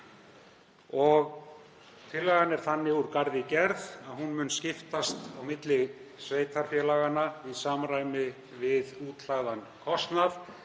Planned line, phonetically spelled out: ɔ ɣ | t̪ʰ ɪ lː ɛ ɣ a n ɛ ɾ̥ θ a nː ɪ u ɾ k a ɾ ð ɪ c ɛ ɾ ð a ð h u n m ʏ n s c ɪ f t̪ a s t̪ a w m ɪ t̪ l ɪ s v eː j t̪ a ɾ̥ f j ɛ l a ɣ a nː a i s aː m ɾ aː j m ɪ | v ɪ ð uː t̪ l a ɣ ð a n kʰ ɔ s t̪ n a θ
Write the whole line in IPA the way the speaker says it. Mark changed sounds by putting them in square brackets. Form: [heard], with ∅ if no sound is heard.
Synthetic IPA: ɔ ɣ | t̪ʰ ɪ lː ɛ ɣ a n ɛ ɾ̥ θ a nː ɪ u ɾ k a ɾ ð ɪ c ɛ ɾ ð a ð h u n m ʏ n s c ɪ f t̪ a s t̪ a w m ɪ t̪ l ɪ s v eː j t̪ a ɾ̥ f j ɛ l a ɣ a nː a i s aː m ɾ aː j m ɪ | v ɪ ð uː t̪ l a ɣ ð a n kʰ ɔ s t̪ n a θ